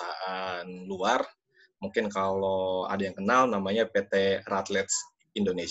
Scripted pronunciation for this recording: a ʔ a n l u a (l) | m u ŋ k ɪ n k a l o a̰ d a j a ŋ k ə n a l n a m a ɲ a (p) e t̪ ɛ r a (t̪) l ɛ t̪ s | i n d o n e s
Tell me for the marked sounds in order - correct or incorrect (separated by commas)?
incorrect, correct, correct